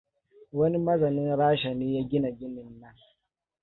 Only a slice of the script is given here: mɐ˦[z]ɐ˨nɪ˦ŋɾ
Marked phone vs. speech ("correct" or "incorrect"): correct